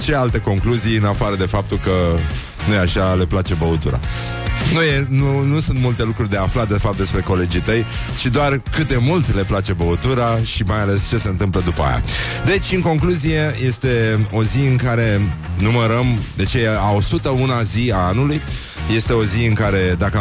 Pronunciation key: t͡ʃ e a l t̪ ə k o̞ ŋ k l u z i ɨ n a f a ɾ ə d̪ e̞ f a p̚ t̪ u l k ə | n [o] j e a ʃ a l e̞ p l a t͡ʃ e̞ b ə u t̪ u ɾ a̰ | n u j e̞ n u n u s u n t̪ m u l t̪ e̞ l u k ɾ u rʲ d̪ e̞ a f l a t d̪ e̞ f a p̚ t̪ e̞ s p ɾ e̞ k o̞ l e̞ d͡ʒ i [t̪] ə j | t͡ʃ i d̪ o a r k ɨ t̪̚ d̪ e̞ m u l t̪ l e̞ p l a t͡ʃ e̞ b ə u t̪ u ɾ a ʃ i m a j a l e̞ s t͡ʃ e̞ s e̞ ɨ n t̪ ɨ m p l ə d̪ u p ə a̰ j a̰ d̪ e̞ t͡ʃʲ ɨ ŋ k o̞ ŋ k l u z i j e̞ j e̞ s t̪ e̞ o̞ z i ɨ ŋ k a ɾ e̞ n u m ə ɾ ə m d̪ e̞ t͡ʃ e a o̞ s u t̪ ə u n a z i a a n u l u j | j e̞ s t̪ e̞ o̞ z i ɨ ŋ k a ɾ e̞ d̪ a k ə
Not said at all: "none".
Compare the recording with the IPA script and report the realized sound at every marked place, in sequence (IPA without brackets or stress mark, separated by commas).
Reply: u, t̪